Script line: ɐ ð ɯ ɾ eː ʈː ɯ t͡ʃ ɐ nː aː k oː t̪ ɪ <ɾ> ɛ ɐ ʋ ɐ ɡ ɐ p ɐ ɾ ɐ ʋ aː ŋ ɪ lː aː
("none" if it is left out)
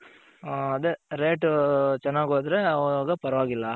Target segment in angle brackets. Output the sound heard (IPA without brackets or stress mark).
ɾ